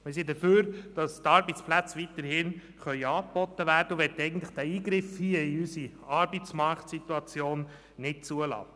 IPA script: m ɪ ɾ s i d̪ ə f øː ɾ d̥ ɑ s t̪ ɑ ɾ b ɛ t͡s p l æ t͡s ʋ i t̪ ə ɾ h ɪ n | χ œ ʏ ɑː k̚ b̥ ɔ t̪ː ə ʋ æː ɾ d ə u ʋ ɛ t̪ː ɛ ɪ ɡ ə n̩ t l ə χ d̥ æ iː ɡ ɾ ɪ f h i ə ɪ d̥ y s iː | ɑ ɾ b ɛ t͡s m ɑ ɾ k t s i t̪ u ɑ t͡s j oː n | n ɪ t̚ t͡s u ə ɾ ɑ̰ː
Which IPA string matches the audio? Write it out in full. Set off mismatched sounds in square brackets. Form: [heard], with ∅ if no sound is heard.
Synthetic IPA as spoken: m ɪ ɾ s i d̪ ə f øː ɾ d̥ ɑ s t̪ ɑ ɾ b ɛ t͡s p l æ t͡s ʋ i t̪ ə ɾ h ɪ n | χ œ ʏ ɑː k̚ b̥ ɔ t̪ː ə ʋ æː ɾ d ə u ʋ ɛ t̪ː ɛ ɪ ɡ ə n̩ t l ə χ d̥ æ iː ɡ ɾ ɪ f h i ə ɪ [∅] y s [i] | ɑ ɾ b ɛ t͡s m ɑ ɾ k t s i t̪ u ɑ t͡s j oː n | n ɪ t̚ t͡s u ə [l] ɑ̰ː